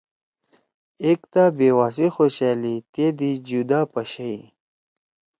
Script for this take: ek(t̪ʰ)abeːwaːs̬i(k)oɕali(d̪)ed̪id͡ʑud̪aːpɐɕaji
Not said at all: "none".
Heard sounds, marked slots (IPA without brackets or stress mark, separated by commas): t̪, x, t̪